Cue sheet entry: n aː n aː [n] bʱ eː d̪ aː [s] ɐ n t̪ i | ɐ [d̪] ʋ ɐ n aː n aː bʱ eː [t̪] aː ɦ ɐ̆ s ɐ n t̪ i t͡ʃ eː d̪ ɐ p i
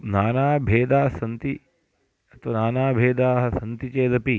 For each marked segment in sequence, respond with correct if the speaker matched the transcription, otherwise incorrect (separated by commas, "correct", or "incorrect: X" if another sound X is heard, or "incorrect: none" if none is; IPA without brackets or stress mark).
incorrect: none, correct, incorrect: t̪, incorrect: d̪